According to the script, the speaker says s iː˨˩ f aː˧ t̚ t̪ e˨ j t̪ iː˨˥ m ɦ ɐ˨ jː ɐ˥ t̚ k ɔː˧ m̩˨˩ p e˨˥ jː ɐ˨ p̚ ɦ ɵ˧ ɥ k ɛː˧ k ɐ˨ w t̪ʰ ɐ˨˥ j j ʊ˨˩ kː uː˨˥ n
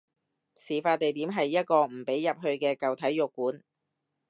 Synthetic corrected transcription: s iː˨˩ f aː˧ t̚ t̪ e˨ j t̪ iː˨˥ m ɦ ɐ˨ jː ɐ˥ t̚ k ɔː˧ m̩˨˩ p e˨˥ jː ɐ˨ p̚ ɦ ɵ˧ ɥ k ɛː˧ k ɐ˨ w t̪ʰ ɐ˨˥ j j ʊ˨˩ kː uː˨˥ n